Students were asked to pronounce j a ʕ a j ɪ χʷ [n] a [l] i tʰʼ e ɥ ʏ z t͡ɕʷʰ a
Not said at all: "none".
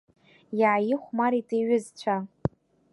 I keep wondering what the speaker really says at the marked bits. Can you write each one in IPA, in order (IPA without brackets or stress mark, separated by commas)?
m, ɾ